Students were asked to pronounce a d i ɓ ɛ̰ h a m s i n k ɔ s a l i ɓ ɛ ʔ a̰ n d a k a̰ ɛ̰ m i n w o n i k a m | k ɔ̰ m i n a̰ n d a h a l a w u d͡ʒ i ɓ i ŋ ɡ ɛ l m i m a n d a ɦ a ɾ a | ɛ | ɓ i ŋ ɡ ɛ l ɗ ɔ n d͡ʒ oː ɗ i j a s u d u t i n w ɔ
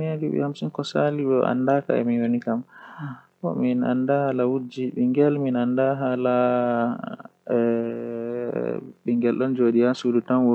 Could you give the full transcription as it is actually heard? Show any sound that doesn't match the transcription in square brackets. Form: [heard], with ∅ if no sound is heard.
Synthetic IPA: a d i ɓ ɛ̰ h a m s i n k ɔ s a l i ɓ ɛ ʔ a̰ n d a k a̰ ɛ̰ m i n w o n i k a m | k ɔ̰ m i n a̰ n d a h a l a w u d͡ʒ i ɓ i ŋ ɡ ɛ l m i [n] a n d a ɦ a [l] a | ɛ | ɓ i ŋ ɡ ɛ l ɗ ɔ n d͡ʒ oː ɗ i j a s u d u t [a] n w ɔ

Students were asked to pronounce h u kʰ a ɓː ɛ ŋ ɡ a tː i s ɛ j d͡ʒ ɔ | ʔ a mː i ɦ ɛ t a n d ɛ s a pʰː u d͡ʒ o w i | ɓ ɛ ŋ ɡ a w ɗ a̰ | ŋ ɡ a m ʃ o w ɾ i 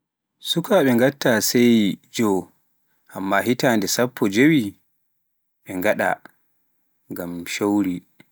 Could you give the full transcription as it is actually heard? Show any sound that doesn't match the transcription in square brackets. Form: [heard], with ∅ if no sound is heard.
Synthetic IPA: [s] u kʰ a [ɓ] ɛ ŋ ɡ a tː [a] s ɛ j d͡ʒ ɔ | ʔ a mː [a] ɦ [i] t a n d ɛ s a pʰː [ɔ] d͡ʒ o w i | ɓ ɛ ŋ ɡ a [∅] ɗ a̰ | ŋ ɡ a m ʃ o w ɾ i

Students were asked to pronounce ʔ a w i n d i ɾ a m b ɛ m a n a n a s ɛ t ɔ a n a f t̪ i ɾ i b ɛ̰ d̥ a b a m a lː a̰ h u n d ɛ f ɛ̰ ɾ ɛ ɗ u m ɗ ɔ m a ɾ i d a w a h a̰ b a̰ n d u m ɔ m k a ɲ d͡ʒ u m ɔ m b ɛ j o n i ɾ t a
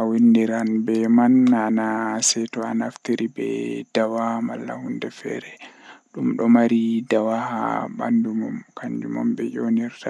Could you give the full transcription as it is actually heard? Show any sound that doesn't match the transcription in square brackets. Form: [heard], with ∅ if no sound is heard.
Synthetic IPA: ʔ a w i n d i ɾ a [n] b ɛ m a n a n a s ɛ t ɔ a n a f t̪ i ɾ i b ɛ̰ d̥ a [w] a m a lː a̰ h u n d ɛ f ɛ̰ ɾ ɛ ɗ u m ɗ ɔ m a ɾ i d a w a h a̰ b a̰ n d u m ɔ m k a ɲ d͡ʒ u m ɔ m b ɛ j o n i ɾ t a

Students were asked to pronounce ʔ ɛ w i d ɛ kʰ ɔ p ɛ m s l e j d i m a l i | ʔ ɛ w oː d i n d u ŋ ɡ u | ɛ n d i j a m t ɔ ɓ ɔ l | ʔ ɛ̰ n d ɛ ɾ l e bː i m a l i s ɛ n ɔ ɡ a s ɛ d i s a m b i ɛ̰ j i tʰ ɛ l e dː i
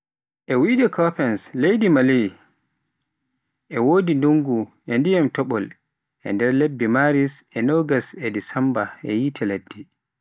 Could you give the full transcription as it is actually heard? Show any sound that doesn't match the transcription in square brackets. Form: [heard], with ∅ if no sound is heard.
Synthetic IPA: ʔ ɛ w i d ɛ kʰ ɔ p ɛ [n] s l e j d i m a l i | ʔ ɛ w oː d i n d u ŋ ɡ u | ɛ n d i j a m t ɔ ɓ ɔ l | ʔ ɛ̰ n d ɛ ɾ l e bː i m a [ɾ] i s ɛ n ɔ ɡ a s ɛ d i s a m b [a] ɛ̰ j i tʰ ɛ l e dː i

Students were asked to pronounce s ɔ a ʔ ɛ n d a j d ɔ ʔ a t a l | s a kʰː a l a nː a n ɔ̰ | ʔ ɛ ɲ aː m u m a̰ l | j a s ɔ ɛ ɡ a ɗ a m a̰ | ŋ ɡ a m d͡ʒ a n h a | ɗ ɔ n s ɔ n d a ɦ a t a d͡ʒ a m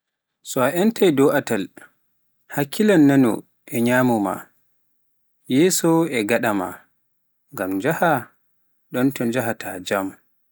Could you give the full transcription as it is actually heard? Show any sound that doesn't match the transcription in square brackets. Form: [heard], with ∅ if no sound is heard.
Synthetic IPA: s ɔ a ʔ ɛ n [t] a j d ɔ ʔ a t a l | [h] a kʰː [i] l a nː a n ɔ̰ | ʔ ɛ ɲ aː m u m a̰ [∅] | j [ɛ] s ɔ ɛ ɡ a ɗ a m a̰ | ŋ ɡ a m d͡ʒ a [∅] h a | ɗ ɔ n [t] ɔ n [d͡ʒ] a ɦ a t a d͡ʒ a m

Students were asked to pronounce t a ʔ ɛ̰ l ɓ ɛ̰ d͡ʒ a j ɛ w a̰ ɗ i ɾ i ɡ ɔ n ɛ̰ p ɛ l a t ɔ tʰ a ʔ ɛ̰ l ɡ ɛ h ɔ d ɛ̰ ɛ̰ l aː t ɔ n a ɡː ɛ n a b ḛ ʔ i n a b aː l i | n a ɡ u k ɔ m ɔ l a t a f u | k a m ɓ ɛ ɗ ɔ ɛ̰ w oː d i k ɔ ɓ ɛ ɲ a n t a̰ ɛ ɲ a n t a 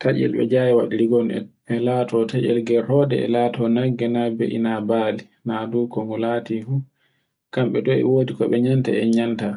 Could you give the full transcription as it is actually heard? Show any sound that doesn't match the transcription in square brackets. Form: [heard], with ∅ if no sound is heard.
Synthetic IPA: t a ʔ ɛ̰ l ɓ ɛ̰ d͡ʒ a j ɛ w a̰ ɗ i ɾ i ɡ ɔ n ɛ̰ p ɛ l a t ɔ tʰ a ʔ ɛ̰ l ɡ ɛ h ɔ d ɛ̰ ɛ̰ l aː t ɔ n a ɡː ɛ n a b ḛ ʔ i n a b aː l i | n a [d] u k ɔ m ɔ l a t [i] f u | k a m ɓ ɛ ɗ ɔ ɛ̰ w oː d i k ɔ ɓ ɛ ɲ a n t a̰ ɛ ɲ a n t a

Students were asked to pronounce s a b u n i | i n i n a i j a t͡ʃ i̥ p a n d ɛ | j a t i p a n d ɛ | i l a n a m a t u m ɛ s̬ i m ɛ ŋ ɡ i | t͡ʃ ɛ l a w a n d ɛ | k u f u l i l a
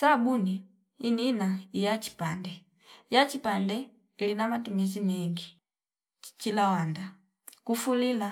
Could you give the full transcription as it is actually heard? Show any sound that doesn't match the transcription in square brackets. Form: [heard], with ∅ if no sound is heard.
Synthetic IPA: s a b u n i | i n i n a i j a t͡ʃ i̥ p a n d ɛ | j a [t͡ʃ] i p a n d ɛ | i l [i] n a m a t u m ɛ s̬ i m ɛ ŋ ɡ i | t͡ʃ [i] l a w a n d [a] | k u f u l i l a

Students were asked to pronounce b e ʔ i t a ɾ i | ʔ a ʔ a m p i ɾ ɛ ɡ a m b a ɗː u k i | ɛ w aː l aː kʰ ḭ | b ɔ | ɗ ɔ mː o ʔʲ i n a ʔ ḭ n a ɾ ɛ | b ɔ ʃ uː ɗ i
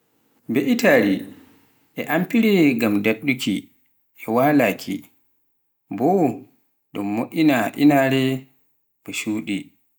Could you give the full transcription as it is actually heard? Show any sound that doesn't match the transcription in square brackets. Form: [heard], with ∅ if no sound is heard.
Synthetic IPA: b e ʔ i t a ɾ i | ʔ [ɛ] ʔ a m p i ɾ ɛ ɡ a m [d] a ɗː u k i | ɛ w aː l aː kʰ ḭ | b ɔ | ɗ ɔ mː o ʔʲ i n a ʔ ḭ n a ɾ ɛ | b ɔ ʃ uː ɗ i

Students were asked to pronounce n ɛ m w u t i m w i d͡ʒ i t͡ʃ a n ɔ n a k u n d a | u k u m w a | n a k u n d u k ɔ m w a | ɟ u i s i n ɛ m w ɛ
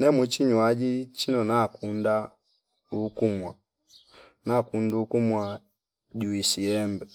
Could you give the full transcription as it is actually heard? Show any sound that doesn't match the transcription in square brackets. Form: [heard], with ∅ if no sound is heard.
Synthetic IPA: n ɛ m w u [t͡ʃ] i [ɲ] w [a] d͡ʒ i t͡ʃ [i] n ɔ n a k u n d a | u k u m w a | n a k u n d u k [u] m w a | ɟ u i s i [∅] ɛ m [b] ɛ

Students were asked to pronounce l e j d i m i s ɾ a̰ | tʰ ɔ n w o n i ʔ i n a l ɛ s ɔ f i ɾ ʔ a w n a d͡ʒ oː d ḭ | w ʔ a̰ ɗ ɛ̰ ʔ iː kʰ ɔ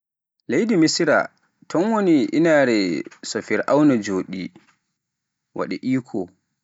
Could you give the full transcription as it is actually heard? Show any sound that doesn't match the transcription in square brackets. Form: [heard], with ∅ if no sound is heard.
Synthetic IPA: l e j d i m i s ɾ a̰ | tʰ ɔ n w o n i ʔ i n a [ɾ] ɛ s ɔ f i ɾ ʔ a w n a d͡ʒ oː [ɗ] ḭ | w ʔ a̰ ɗ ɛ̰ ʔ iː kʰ ɔ

